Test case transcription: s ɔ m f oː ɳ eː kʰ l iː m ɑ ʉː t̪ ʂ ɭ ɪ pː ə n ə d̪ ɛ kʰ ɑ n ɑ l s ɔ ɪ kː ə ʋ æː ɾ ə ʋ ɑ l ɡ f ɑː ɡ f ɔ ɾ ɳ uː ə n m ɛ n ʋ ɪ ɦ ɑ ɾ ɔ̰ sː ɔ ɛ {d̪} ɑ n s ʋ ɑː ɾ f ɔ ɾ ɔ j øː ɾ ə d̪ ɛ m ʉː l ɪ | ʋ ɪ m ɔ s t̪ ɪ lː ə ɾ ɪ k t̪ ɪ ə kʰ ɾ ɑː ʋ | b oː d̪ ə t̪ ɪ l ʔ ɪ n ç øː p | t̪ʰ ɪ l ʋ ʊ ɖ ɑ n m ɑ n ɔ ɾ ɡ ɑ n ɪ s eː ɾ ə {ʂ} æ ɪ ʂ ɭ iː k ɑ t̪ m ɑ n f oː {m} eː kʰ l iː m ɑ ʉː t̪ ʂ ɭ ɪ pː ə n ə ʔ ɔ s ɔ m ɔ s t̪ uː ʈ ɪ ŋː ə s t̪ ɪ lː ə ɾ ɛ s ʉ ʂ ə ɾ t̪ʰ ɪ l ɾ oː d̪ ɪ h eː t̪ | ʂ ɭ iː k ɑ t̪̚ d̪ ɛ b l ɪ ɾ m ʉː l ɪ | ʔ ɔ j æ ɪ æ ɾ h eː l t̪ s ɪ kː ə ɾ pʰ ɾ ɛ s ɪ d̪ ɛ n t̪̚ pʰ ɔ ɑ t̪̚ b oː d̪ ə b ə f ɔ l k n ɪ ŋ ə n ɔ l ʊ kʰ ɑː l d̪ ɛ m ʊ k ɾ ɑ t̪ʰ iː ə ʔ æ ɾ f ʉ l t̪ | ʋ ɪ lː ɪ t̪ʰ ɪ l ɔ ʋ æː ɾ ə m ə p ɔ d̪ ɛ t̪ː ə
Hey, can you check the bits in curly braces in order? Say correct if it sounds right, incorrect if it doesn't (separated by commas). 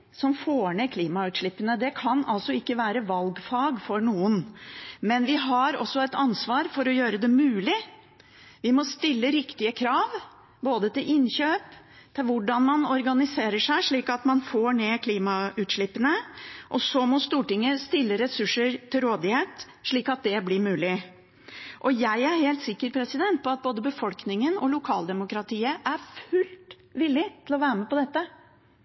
incorrect, correct, incorrect